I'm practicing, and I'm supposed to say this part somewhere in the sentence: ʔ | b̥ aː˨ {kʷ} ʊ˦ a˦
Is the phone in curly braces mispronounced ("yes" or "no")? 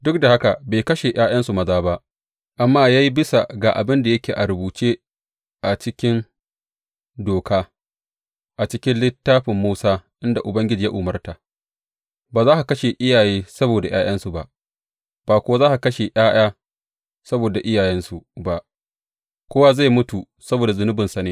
no